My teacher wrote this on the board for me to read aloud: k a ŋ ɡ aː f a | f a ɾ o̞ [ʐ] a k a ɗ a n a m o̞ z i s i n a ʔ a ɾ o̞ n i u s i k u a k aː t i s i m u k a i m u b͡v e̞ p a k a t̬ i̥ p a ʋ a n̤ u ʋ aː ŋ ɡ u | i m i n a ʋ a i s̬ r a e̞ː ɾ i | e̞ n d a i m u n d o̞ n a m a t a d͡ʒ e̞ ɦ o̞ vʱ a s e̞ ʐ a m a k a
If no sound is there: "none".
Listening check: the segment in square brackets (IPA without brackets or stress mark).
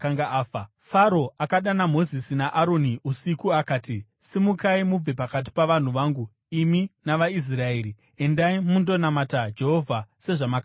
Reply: none